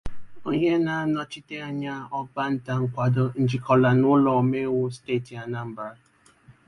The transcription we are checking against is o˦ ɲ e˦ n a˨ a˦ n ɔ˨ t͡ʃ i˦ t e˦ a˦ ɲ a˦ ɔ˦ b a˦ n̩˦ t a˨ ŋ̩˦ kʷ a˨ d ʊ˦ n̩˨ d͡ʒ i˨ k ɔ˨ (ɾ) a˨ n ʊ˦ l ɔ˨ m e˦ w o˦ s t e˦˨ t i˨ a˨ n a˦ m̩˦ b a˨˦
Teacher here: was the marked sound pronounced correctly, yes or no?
no